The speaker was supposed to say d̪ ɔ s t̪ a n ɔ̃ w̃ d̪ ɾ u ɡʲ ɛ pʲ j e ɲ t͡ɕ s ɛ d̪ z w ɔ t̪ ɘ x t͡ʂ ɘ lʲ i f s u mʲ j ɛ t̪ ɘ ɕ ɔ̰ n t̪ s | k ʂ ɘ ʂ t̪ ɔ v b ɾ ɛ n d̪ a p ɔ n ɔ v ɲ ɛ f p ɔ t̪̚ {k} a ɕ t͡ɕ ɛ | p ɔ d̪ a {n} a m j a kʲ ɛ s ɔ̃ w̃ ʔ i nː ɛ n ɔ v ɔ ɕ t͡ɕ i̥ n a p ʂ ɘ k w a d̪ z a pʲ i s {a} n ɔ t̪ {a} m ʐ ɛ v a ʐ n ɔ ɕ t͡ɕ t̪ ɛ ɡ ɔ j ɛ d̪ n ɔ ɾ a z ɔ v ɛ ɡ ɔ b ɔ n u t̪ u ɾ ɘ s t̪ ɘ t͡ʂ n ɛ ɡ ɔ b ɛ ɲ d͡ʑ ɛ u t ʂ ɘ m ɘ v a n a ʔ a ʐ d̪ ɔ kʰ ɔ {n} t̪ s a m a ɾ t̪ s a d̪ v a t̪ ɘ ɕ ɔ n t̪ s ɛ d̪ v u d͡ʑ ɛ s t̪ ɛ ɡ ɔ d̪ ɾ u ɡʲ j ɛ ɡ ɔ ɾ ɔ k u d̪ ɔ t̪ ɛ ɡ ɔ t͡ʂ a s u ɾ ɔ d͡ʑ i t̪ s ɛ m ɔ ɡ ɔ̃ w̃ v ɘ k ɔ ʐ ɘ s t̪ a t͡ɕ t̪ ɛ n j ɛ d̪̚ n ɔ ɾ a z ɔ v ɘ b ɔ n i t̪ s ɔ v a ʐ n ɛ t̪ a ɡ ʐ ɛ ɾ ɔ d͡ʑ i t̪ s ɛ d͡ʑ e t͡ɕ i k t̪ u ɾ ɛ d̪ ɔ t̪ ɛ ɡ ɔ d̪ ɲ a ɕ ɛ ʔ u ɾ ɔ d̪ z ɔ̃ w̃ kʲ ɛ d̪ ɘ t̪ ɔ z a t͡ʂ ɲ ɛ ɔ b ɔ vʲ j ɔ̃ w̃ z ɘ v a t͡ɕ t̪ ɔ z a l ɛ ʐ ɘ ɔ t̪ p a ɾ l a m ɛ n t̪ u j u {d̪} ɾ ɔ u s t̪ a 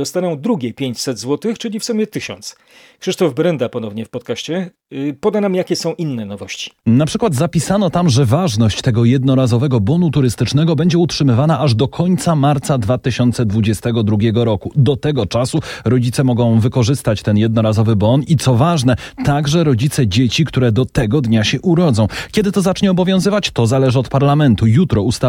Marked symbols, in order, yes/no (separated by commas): yes, yes, yes, yes, no, no